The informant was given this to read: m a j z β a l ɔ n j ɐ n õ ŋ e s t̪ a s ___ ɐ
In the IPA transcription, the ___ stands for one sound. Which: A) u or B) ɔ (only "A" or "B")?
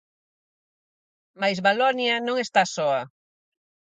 B